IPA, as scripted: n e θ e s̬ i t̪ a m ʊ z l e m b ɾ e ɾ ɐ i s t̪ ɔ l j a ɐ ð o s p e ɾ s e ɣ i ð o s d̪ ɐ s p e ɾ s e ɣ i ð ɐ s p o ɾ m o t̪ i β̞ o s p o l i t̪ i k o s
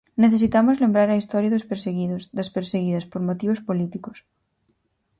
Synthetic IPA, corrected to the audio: n e θ e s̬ i t̪ a m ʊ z l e m b ɾ a ɾ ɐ i s t̪ ɔ ɾ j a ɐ ð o s p e ɾ s e ɣ i ð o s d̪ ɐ s p e ɾ s e ɣ i ð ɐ s p o ɾ m o t̪ i β̞ o s p o l i t̪ i k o s